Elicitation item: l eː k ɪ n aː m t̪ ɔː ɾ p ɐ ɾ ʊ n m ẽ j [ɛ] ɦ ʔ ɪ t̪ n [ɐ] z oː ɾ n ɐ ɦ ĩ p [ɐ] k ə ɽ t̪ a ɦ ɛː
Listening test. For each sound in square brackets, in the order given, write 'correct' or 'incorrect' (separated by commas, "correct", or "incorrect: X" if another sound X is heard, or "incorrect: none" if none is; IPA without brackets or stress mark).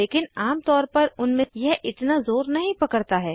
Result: correct, incorrect: a, correct